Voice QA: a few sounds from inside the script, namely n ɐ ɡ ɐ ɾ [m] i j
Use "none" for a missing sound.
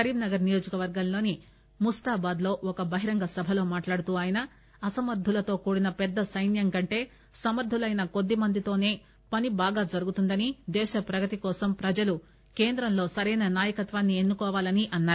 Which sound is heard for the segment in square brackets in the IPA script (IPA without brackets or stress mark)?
n